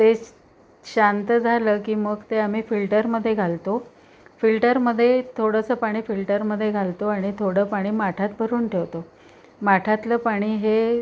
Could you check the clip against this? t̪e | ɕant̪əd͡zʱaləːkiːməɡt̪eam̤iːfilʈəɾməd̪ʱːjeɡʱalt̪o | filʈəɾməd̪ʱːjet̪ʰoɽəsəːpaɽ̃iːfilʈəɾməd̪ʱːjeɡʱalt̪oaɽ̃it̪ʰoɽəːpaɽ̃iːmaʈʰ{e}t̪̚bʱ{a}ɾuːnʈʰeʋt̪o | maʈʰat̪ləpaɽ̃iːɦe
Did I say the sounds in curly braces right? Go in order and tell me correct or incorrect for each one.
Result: incorrect: a, incorrect: ə

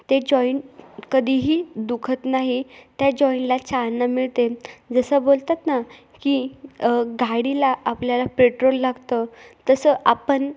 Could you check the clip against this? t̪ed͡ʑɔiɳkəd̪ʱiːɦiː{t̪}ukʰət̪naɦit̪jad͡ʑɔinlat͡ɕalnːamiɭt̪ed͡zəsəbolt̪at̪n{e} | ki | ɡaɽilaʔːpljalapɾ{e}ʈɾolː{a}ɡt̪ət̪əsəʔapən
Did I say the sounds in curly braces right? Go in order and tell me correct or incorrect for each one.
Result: incorrect: d̪, incorrect: a, correct, correct

